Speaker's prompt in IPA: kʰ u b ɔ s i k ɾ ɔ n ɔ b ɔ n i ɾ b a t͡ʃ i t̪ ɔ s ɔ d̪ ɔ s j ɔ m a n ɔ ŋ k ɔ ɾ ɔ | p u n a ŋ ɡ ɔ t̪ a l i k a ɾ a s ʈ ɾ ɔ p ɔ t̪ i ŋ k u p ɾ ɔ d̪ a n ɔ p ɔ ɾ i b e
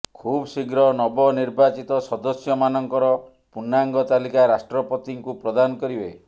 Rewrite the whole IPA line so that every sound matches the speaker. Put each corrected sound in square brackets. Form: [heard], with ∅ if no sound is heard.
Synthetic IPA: kʰ u b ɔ s i [ɡ] ɾ ɔ n ɔ b ɔ n i ɾ b a t͡ʃ i t̪ ɔ s ɔ d̪ ɔ s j ɔ m a n ɔ ŋ k ɔ ɾ ɔ | p u n a ŋ ɡ ɔ t̪ a l i k a ɾ a s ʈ ɾ ɔ p ɔ t̪ i ŋ k u p ɾ ɔ d̪ a n ɔ [k] ɔ ɾ i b e